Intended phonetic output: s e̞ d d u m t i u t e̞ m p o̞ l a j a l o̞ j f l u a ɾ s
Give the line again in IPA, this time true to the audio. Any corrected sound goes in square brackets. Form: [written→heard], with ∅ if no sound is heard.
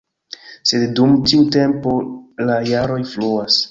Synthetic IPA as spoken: s e̞ d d u m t i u t e̞ m p o̞ l a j a [l→ɾ] o̞ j f l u a [ɾ→∅] s